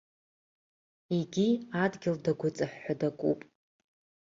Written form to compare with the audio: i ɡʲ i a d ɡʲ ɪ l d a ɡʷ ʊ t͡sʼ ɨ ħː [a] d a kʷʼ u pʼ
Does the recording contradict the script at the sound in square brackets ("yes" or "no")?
no